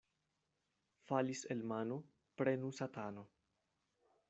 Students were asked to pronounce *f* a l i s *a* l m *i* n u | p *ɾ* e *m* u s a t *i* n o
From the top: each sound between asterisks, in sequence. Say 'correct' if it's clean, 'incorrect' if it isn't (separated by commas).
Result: correct, incorrect, incorrect, correct, incorrect, incorrect